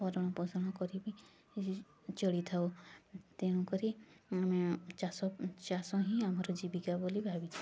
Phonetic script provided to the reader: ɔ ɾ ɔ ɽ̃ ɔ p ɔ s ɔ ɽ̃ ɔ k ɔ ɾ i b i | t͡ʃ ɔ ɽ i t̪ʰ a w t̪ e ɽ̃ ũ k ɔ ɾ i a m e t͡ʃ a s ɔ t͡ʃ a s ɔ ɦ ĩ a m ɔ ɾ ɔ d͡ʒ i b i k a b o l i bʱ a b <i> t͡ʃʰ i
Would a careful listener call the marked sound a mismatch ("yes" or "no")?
no